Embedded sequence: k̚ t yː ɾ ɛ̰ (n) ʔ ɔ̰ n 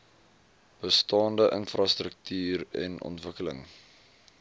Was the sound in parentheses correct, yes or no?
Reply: yes